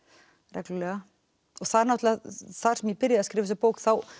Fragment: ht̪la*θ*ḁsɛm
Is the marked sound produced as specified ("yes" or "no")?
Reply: yes